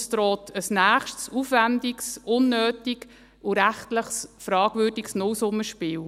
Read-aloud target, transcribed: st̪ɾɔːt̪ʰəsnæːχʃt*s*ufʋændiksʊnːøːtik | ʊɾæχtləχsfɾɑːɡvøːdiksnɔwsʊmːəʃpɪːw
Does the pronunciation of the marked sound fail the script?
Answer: no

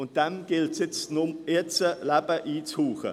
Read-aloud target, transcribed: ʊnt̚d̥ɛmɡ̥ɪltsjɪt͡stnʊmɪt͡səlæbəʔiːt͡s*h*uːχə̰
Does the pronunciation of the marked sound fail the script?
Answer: no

